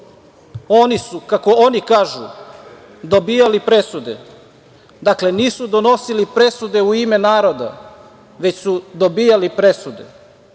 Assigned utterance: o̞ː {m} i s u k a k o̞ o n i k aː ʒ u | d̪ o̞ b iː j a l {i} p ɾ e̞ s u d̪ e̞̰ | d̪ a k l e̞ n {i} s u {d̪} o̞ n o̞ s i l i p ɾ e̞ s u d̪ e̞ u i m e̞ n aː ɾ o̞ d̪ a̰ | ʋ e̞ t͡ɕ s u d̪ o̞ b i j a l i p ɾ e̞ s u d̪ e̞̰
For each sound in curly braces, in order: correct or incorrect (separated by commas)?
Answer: incorrect, correct, incorrect, correct